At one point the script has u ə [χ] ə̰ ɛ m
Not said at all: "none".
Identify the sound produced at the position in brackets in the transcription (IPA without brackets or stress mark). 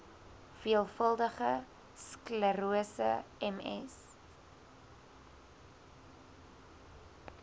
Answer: s